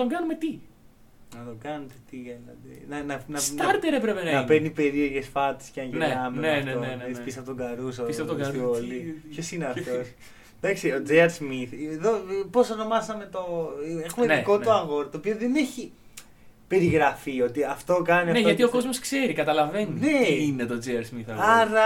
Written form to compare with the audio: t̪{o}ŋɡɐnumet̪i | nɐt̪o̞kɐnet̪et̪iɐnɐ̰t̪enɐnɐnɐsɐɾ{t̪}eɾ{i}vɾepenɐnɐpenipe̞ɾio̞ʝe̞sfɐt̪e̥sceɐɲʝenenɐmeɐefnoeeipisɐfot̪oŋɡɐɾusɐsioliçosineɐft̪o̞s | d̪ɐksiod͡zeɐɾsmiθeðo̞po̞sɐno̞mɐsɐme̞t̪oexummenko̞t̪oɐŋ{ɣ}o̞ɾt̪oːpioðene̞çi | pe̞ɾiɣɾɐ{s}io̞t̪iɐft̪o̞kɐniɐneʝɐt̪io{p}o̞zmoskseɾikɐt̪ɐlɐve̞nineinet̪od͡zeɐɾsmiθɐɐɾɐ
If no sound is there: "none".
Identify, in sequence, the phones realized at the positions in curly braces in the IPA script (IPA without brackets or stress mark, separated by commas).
o, t̪, e, ɣ, f, k